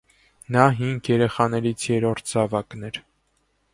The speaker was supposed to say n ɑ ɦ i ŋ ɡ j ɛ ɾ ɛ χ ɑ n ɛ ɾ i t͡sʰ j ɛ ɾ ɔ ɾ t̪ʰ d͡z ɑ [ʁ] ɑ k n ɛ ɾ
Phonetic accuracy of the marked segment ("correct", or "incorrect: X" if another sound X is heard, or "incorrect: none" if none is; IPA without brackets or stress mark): incorrect: v